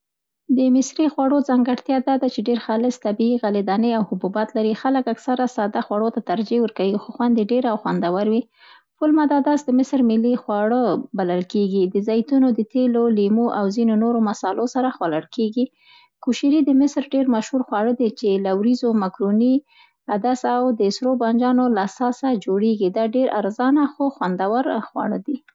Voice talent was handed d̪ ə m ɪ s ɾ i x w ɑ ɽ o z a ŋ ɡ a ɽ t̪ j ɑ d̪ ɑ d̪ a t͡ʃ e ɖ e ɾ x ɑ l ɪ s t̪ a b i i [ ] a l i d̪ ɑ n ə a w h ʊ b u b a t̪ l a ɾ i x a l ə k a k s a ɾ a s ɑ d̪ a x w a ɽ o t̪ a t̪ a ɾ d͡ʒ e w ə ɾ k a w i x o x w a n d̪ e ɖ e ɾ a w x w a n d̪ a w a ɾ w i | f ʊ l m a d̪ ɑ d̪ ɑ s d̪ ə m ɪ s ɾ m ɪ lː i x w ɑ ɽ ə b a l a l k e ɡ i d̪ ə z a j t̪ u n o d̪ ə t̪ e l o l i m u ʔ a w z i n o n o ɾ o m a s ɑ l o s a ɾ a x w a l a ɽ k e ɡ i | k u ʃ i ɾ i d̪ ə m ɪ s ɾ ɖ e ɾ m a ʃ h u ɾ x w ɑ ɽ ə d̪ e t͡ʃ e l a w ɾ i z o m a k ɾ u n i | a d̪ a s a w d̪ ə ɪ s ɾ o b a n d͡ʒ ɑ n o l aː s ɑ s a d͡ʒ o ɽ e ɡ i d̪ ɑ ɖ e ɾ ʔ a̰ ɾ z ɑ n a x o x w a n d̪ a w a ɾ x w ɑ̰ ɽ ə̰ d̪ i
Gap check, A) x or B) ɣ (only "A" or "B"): B